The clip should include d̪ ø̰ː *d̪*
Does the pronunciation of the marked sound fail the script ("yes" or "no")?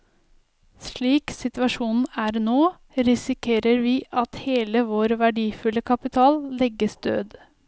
no